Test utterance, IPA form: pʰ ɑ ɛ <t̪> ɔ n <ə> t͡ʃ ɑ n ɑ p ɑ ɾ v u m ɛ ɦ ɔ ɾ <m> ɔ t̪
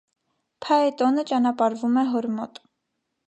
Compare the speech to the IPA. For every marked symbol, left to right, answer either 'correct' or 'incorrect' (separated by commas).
correct, correct, correct